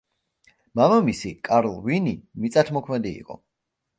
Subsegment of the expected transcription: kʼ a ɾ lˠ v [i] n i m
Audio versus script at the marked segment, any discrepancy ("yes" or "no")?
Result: no